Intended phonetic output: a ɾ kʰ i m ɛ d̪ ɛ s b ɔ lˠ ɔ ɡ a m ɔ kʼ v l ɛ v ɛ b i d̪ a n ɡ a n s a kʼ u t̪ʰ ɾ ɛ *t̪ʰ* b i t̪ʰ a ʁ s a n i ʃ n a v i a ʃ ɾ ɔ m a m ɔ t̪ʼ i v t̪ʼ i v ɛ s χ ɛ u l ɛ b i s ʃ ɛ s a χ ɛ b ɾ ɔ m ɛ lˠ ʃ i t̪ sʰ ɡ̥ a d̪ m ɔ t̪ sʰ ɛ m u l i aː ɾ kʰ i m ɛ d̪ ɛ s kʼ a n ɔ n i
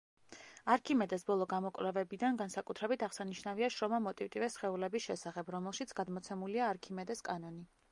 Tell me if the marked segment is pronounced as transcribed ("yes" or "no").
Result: no